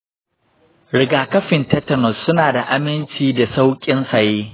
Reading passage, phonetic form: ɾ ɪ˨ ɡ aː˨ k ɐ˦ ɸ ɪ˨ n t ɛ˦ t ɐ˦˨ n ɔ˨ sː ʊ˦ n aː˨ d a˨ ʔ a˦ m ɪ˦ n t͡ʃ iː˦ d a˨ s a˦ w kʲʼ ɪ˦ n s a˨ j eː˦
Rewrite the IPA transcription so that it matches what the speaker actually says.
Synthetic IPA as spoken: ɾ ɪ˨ ɡ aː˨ k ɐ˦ ɸ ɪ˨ n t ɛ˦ t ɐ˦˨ n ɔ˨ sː ʊ˦ n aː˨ d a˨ ʔ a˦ m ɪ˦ n t͡ʃ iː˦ d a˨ s a˦ w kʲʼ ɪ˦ n s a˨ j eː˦